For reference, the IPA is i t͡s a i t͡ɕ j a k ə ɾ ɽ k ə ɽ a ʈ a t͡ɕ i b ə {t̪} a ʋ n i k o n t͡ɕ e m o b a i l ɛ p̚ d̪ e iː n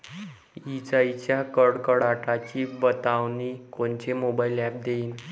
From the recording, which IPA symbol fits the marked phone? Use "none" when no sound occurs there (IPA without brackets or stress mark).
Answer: t̪